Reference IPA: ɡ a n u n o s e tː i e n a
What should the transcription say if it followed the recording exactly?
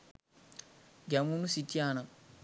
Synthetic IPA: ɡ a m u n u s i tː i a n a